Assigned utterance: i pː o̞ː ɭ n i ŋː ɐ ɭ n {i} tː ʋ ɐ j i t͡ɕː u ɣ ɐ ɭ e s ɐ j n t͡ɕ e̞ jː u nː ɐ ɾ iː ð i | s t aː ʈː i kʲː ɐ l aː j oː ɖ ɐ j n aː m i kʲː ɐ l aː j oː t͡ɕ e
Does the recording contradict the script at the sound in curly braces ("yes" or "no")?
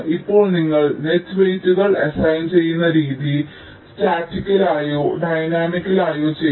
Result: yes